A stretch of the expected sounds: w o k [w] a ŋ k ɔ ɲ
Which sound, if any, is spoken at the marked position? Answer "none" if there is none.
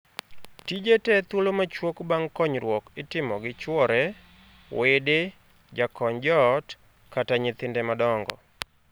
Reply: b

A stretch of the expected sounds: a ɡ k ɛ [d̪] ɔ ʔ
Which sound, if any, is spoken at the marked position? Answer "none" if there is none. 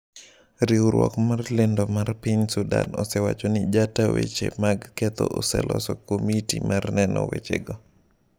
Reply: t̪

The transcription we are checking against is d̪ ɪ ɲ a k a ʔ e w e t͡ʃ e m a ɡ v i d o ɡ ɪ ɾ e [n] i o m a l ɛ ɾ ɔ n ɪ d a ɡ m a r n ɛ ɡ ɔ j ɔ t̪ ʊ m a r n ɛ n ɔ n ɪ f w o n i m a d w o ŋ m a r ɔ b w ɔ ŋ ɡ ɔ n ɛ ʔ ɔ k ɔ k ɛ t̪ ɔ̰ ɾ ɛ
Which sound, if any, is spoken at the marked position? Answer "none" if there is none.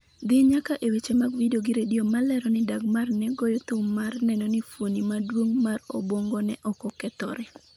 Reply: d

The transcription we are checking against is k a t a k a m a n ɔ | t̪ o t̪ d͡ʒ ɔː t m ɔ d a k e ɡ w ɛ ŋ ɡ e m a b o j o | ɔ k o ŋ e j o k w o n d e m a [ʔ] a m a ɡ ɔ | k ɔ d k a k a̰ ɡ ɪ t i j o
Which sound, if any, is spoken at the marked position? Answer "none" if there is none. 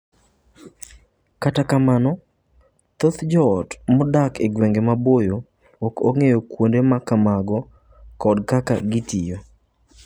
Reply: k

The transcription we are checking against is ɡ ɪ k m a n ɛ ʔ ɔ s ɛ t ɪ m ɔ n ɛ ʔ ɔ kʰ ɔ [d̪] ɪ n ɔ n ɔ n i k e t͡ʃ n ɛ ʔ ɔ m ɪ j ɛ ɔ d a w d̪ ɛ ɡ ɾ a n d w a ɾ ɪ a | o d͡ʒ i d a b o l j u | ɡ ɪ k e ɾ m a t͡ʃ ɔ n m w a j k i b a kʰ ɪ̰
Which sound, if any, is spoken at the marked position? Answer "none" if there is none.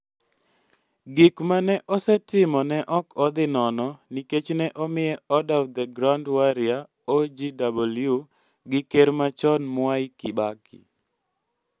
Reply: d̪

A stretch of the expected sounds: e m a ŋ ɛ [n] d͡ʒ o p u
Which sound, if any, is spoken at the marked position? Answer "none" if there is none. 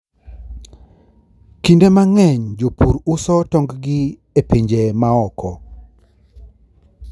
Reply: ɲ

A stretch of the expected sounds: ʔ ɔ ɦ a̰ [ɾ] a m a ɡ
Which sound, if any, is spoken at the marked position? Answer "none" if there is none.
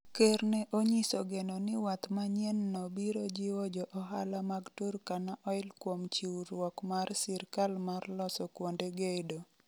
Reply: l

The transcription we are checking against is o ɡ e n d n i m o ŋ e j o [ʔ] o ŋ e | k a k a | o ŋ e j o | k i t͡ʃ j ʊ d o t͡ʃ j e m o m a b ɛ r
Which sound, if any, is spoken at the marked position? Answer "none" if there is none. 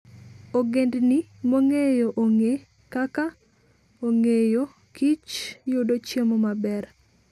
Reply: ʔ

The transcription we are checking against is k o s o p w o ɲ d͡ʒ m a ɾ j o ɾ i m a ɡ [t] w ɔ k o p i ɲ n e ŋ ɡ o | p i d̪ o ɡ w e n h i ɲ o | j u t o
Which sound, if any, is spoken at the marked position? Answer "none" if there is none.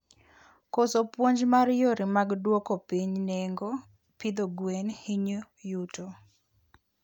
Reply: d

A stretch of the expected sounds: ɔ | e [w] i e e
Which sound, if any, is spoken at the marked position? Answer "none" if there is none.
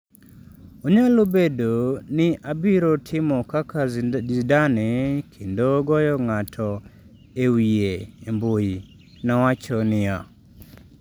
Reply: w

